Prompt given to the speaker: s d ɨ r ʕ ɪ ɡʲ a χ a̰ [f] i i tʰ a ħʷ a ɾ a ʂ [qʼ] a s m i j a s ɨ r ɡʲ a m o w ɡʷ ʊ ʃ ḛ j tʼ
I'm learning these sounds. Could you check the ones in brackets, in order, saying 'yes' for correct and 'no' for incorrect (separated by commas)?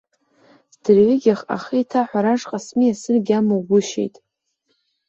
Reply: no, yes